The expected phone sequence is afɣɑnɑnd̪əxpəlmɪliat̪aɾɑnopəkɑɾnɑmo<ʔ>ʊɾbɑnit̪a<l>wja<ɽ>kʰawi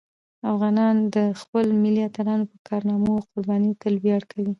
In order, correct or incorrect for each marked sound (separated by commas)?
incorrect, correct, correct